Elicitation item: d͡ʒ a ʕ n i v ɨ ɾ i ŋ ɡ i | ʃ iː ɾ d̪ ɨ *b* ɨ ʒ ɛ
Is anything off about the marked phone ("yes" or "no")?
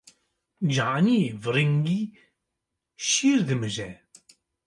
yes